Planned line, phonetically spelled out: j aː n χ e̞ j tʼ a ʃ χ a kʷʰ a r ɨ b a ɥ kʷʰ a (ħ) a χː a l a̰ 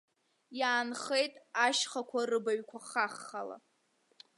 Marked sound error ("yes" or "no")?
yes